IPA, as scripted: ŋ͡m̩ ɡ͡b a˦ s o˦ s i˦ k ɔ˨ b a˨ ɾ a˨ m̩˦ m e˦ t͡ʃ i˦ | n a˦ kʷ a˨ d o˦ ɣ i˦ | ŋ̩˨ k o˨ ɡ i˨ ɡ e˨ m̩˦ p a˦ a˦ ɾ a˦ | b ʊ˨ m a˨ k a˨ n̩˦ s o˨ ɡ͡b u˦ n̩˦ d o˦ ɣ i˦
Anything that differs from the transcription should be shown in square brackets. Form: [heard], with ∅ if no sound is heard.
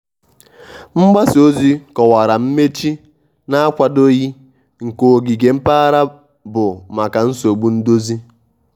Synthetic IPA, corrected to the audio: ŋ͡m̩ ɡ͡b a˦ s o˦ [z] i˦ k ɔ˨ [w] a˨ ɾ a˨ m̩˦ m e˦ t͡ʃ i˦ | n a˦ kʷ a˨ d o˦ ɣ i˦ | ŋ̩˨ k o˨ ɡ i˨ ɡ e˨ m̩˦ p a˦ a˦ ɾ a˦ | b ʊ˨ m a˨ k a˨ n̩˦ s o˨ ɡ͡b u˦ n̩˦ d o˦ [z] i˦